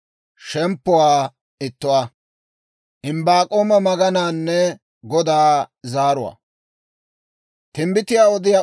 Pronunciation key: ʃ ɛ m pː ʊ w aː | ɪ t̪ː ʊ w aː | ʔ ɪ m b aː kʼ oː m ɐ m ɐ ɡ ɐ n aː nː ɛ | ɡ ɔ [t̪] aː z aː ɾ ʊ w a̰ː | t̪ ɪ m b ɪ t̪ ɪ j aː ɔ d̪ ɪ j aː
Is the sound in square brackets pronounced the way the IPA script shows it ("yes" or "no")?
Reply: no